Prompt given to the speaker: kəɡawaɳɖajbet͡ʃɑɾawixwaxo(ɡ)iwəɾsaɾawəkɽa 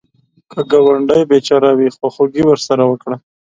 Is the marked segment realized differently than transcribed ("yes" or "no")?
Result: no